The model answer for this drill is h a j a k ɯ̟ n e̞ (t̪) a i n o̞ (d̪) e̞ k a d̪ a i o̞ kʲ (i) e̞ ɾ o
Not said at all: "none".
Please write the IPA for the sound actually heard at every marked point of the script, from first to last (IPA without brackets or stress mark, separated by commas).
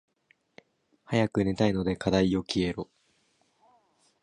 t̪, d̪, i